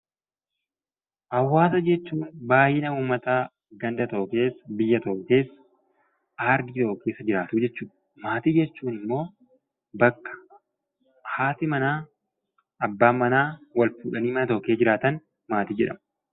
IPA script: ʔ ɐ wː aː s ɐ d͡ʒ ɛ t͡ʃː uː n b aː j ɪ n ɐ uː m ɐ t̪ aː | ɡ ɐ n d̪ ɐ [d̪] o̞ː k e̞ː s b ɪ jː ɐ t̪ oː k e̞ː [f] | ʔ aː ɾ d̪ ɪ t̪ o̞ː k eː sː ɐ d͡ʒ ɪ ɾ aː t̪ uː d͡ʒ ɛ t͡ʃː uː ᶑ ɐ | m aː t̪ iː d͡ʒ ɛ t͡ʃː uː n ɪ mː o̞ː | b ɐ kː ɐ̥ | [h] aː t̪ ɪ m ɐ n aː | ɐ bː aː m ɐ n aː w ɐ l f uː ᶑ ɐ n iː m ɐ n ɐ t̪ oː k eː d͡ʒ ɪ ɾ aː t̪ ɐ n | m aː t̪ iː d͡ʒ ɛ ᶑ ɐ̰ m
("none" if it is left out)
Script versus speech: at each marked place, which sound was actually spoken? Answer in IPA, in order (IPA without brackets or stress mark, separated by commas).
t̪, s, h